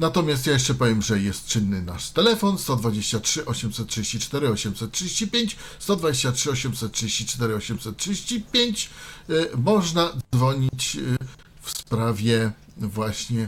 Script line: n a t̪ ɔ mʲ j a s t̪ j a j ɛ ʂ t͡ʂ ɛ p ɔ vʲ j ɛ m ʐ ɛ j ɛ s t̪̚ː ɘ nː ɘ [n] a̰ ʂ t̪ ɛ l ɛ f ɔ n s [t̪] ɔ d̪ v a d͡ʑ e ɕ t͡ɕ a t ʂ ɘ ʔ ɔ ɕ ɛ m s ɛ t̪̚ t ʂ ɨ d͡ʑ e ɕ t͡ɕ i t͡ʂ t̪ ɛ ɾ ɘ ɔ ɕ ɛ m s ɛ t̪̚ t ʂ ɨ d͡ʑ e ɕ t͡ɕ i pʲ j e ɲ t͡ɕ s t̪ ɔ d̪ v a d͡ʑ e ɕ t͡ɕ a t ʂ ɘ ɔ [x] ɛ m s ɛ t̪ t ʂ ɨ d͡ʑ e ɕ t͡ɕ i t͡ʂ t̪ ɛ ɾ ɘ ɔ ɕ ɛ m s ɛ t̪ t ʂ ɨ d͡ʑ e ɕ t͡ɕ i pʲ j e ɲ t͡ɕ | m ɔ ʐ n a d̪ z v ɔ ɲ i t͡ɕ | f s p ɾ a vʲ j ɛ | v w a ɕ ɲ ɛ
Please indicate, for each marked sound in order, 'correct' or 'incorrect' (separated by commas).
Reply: correct, correct, incorrect